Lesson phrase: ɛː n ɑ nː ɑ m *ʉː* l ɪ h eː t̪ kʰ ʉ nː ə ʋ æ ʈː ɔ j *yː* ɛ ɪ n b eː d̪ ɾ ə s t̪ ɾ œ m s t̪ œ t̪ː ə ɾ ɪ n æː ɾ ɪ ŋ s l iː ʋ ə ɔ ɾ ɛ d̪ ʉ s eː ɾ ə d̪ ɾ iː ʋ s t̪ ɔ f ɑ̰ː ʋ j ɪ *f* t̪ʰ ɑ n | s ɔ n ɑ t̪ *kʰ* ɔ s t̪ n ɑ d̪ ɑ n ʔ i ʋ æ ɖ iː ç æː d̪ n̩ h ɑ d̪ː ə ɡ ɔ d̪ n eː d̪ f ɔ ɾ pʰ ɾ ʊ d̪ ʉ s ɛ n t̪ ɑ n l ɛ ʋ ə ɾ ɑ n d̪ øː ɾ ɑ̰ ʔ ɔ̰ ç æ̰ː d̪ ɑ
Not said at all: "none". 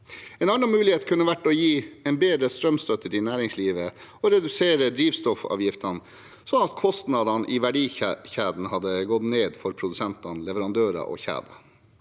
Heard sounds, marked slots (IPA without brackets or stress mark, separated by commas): ʉː, iː, f, kʰ